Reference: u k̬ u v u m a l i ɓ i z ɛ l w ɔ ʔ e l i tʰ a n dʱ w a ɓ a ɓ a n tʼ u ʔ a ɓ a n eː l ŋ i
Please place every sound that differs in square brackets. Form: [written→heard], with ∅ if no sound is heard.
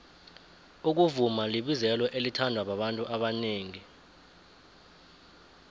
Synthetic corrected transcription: u k̬ u v u m a l i ɓ i z ɛ l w ɔ ʔ e l i tʰ a n dʱ w a ɓ a ɓ a n tʼ u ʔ a ɓ a n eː [l→∅] ŋ i